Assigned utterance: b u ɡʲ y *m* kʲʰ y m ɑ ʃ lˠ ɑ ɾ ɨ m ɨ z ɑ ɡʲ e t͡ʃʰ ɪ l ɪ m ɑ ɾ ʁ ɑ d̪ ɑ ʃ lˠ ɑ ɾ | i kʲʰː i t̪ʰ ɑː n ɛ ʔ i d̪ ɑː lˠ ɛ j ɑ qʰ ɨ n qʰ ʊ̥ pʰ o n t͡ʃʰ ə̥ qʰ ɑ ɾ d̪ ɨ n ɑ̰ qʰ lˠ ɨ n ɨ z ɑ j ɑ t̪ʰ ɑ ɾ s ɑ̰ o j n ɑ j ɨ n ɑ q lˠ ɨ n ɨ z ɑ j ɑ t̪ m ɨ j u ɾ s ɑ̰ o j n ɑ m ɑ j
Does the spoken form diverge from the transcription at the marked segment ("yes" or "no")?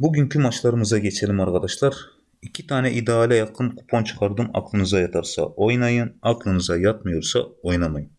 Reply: yes